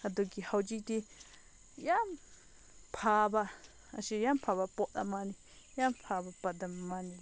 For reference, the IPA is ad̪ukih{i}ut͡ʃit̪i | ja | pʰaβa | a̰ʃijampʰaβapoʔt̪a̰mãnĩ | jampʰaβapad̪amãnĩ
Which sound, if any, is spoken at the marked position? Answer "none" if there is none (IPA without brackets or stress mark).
a